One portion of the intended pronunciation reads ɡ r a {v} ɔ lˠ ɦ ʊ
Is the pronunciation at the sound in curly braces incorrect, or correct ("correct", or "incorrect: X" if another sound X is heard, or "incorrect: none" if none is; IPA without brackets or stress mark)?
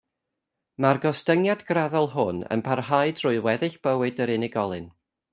incorrect: ð